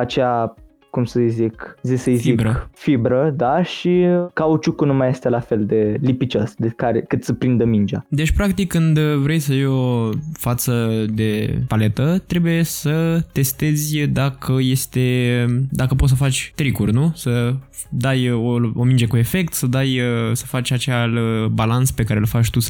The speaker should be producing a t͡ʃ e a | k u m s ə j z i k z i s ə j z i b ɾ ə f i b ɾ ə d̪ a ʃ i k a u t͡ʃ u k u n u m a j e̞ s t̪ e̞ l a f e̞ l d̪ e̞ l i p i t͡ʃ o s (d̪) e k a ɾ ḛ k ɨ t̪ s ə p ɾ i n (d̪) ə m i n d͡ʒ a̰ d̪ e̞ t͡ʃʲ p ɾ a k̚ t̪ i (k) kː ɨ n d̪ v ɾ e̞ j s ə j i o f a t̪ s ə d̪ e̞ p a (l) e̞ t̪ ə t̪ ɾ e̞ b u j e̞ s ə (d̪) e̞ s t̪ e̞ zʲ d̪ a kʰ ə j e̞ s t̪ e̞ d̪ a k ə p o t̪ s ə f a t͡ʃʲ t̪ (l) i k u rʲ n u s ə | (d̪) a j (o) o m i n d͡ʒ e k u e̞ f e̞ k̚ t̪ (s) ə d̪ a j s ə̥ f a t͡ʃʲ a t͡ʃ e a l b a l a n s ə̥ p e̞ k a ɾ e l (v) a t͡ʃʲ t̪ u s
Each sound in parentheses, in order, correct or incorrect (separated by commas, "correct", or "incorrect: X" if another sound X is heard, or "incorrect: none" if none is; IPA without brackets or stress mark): correct, correct, correct, correct, incorrect: t̪, incorrect: ɾ, correct, correct, correct, incorrect: f